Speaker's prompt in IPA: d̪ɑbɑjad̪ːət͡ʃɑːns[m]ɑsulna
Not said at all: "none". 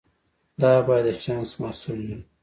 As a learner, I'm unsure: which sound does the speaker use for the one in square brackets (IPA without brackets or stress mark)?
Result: m